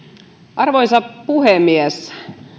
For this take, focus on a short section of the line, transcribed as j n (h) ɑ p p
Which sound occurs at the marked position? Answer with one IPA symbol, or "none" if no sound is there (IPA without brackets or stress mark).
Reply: s